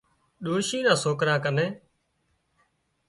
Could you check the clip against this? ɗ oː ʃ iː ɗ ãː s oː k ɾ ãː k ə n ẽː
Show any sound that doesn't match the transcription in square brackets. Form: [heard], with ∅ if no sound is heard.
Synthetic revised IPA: ɗ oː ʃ iː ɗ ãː s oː k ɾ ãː k ə n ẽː